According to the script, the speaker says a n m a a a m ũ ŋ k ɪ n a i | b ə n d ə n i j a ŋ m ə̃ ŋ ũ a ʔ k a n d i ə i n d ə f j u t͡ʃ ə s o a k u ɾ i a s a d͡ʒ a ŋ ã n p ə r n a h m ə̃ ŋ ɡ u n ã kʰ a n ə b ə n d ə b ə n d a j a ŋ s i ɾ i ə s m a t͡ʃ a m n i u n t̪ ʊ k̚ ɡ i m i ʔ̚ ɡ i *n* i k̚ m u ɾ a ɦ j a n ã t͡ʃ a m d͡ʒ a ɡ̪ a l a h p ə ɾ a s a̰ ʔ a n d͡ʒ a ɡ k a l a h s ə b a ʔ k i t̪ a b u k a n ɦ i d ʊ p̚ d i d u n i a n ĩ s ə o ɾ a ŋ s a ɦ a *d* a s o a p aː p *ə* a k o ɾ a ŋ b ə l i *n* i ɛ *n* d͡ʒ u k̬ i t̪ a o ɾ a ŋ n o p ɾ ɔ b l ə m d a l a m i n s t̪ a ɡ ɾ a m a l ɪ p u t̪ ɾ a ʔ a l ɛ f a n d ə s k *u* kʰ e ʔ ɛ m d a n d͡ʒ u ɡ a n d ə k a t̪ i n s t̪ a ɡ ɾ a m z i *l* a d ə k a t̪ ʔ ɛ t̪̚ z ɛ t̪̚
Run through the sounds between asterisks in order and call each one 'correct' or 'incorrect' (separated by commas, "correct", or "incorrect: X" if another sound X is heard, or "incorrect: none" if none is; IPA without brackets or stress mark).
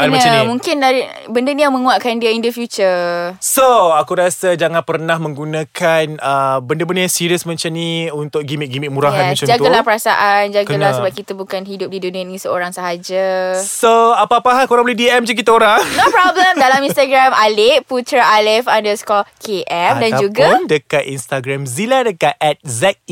incorrect: m, incorrect: d͡ʒ, incorrect: a, incorrect: d, incorrect: m, incorrect: ɔ, correct